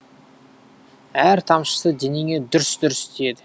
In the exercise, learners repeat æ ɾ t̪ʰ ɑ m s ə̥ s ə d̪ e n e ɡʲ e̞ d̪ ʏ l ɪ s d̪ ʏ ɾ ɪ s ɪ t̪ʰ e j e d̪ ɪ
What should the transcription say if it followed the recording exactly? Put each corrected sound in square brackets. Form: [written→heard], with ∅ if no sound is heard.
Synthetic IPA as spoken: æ ɾ t̪ʰ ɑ m [s→ʃ] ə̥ s ə d̪ e n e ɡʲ e̞ d̪ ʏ [l→ɾ] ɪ s d̪ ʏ ɾ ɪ s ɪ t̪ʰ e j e d̪ ɪ